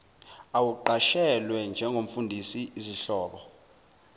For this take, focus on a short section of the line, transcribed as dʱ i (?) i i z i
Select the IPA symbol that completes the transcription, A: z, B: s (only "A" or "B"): B